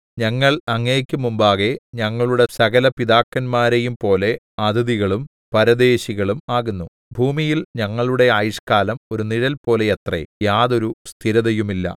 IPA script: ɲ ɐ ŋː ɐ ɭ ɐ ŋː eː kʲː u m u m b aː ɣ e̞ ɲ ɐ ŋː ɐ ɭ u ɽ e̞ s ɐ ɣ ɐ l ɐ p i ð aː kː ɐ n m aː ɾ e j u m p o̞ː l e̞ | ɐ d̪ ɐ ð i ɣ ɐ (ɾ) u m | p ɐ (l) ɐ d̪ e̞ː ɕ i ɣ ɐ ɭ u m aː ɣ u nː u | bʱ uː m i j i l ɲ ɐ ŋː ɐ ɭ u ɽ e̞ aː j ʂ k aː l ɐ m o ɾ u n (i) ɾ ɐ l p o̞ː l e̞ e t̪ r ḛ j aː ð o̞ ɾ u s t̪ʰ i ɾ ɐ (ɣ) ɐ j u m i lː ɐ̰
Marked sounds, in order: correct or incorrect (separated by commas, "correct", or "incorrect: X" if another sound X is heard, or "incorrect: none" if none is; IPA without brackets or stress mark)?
incorrect: ɭ, incorrect: ɾ, correct, incorrect: ð